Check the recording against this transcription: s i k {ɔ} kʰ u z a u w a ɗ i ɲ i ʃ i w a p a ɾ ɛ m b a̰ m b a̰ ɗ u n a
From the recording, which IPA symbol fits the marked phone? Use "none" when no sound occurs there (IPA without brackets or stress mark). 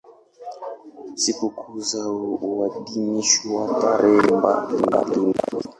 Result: u